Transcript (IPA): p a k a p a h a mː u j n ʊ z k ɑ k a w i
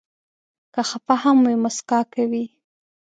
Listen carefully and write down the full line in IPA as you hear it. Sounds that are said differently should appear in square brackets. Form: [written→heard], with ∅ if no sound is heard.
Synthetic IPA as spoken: [p→k] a [k→x] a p a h a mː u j [n→m] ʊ [z→s] k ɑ k a w i